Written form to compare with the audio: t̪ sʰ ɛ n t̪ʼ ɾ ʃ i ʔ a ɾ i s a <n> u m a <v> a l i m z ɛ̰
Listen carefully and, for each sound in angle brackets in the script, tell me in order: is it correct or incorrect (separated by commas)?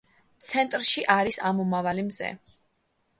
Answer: incorrect, correct